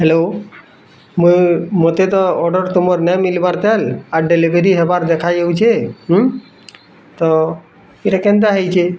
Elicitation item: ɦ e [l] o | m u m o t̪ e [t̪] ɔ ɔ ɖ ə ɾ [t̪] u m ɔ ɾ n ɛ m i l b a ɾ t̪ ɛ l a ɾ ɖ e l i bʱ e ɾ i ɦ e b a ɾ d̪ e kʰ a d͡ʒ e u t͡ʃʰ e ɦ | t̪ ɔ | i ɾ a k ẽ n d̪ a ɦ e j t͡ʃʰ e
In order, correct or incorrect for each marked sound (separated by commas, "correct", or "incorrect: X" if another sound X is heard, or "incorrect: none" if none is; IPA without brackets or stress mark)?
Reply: correct, correct, correct